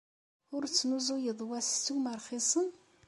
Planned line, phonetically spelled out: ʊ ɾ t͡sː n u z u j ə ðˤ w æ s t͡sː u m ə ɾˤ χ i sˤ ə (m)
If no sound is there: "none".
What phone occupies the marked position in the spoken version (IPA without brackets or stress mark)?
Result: n